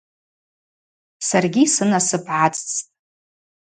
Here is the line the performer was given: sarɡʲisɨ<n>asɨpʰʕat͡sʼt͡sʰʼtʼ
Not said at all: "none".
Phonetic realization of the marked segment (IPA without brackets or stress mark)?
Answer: n